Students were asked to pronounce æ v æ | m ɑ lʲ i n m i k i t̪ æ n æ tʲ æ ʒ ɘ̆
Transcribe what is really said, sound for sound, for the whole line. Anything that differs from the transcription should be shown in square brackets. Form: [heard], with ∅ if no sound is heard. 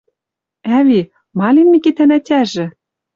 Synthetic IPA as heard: æ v [i] | m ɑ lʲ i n m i k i t̪ æ n æ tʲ æ ʒ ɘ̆